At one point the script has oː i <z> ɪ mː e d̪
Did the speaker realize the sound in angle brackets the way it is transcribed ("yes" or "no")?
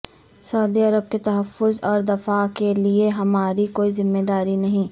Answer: yes